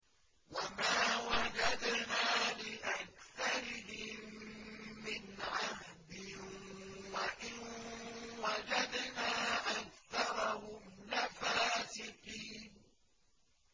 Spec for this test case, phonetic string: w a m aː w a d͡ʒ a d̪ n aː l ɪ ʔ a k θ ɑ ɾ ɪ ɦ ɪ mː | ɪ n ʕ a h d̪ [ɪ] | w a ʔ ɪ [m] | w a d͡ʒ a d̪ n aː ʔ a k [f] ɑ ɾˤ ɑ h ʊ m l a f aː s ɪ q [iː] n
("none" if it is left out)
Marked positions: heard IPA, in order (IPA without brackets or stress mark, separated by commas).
ɪ, n, θ, iː